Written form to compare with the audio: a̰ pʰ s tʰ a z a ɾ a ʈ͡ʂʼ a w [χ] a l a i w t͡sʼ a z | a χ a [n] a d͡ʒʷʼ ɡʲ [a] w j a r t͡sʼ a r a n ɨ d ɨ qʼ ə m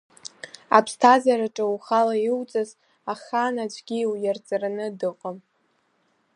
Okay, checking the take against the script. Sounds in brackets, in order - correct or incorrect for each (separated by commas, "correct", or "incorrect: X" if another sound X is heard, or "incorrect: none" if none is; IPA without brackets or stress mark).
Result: correct, correct, incorrect: i